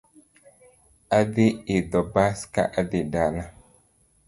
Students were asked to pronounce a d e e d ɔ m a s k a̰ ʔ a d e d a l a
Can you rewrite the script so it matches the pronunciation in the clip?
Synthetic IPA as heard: a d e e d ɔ b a s k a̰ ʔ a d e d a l a